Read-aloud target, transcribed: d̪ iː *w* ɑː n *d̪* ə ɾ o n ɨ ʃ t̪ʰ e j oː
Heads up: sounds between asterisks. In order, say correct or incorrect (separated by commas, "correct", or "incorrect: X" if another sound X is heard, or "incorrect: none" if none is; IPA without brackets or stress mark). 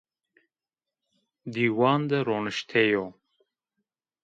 correct, correct